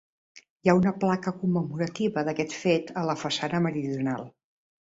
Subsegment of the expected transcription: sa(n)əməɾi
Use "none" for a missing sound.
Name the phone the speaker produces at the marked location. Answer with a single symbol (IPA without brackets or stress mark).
n